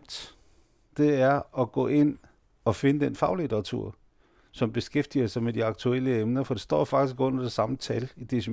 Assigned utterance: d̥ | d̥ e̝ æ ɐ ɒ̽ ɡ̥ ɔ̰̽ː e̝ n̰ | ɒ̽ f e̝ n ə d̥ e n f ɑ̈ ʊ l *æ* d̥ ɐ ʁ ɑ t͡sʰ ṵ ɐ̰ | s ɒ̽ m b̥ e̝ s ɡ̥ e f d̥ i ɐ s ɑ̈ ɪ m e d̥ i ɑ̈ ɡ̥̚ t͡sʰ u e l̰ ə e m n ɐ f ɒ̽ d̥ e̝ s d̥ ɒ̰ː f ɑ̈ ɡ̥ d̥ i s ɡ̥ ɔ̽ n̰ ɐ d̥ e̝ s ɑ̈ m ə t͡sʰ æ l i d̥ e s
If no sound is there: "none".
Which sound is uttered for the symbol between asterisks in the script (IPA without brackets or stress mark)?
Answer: i